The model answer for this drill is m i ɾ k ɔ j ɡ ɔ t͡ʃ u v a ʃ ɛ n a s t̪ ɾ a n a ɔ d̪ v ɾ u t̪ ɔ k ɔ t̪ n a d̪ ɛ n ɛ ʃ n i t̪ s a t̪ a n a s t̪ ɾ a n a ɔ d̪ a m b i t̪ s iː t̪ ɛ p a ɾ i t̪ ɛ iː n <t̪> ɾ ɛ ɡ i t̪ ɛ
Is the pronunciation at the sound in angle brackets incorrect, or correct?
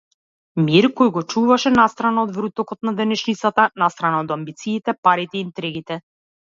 correct